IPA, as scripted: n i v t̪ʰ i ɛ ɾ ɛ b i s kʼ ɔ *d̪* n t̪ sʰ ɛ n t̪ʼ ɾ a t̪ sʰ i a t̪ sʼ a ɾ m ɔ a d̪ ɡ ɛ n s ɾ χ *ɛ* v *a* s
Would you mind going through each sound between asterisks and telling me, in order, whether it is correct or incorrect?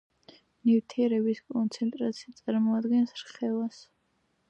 incorrect: none, correct, correct

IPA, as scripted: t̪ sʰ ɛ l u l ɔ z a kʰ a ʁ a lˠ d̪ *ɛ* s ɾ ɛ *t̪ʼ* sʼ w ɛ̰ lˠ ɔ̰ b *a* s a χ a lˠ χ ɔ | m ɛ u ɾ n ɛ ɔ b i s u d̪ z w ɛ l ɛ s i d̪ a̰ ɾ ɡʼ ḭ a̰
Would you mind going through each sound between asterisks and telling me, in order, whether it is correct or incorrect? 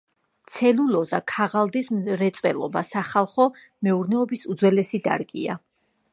incorrect: i, incorrect: t̪, correct

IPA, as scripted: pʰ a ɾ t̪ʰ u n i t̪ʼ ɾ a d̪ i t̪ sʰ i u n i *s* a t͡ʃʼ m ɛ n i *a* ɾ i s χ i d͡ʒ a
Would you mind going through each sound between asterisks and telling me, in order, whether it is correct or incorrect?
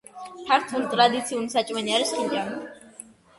correct, correct

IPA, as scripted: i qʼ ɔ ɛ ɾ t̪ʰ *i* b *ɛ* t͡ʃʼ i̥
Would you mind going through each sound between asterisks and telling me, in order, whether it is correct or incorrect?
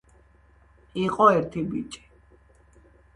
correct, incorrect: i

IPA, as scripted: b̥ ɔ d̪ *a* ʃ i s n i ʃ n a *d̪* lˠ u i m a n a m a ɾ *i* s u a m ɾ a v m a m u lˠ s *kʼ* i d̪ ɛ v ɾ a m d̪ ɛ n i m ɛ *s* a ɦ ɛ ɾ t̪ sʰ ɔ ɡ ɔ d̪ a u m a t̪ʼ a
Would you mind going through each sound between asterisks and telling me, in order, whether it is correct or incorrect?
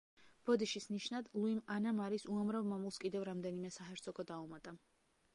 incorrect: i, correct, correct, correct, correct

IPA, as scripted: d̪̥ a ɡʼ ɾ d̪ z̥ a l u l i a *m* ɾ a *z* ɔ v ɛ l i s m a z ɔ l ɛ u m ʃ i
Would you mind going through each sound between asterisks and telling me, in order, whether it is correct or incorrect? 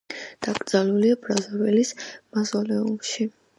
incorrect: b, correct

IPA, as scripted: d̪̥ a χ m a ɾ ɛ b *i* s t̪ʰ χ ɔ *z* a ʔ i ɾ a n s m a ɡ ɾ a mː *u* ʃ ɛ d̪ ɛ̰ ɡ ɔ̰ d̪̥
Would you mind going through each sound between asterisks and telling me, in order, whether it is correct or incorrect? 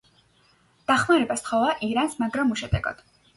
incorrect: a, incorrect: v, correct

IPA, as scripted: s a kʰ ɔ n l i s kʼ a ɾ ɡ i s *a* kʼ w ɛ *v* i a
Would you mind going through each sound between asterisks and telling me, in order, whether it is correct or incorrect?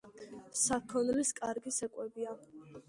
incorrect: ɛ, incorrect: b

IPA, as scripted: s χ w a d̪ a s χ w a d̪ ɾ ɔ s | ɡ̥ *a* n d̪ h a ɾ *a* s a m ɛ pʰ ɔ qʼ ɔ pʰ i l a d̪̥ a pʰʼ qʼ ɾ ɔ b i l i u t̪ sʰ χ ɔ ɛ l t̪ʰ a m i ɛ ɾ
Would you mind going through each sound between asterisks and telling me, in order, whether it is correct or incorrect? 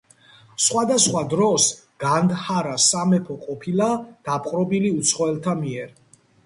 correct, correct

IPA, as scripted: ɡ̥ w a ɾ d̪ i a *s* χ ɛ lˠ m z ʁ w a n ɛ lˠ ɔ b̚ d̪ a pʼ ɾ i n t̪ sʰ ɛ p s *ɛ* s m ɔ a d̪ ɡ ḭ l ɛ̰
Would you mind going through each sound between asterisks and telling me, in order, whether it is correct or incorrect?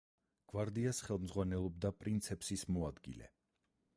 correct, incorrect: i

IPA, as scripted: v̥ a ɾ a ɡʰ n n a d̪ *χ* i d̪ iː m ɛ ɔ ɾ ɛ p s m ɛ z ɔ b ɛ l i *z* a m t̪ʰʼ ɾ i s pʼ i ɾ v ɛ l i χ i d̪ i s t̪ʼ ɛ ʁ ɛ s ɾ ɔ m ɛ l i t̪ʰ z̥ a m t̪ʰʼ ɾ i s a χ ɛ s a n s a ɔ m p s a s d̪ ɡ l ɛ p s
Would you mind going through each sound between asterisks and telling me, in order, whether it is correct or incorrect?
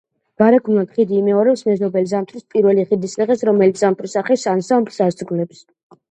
correct, correct

